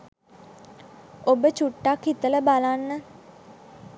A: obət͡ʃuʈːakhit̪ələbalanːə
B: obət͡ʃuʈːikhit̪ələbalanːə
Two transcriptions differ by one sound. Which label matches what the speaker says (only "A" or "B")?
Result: A